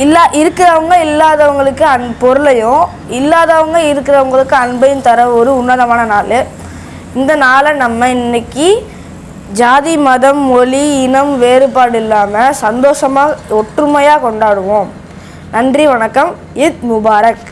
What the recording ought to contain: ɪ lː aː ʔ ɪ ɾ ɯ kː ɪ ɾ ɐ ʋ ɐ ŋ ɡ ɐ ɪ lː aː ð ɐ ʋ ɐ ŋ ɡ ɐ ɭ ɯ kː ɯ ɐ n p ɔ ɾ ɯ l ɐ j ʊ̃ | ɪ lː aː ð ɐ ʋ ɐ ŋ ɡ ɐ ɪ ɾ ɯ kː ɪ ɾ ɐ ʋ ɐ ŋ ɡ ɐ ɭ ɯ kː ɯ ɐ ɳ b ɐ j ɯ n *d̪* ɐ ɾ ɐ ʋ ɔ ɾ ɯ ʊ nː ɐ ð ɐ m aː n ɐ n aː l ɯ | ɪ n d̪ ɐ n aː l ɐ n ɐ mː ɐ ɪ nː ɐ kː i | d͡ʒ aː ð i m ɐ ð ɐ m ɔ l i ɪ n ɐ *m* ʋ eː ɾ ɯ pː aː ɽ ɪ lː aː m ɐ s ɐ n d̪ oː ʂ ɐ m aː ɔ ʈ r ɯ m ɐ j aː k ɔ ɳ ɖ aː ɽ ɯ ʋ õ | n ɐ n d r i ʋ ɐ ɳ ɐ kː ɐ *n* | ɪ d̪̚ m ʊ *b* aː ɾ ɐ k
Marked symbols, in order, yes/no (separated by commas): no, yes, no, yes